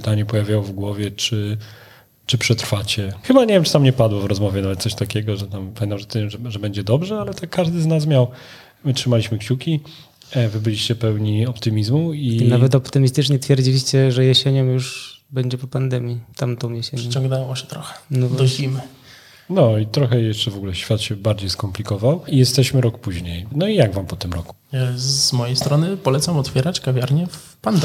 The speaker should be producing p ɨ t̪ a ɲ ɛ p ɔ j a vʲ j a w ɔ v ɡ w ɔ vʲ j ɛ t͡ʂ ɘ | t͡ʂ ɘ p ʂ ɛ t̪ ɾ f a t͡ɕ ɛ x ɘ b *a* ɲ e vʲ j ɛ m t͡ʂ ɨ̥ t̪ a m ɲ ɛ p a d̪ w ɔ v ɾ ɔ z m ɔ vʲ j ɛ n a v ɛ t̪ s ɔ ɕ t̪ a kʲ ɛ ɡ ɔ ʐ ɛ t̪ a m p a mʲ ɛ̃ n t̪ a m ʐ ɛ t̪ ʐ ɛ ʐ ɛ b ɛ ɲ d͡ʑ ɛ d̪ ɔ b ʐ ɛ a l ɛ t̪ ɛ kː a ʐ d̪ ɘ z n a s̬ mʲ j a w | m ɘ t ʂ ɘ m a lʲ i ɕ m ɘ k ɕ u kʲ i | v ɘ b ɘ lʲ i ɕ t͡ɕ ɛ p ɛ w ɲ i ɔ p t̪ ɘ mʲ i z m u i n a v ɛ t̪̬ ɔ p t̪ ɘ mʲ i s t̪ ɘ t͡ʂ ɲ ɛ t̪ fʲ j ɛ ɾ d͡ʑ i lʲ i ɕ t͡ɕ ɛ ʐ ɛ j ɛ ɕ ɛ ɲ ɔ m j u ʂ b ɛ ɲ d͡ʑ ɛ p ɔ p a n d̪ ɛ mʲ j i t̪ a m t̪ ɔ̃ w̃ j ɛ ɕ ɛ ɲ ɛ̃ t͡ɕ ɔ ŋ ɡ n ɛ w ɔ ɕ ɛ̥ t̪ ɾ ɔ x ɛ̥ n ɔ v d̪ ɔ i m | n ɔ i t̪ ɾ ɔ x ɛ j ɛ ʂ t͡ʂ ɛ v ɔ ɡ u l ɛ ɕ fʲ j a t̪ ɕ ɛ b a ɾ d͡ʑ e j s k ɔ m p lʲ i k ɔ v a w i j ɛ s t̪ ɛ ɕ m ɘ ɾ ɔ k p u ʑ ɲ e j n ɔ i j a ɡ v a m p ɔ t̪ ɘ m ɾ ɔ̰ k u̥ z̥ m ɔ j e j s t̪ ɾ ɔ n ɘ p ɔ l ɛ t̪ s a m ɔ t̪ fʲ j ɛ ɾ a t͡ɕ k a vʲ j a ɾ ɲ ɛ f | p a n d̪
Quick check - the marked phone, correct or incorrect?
correct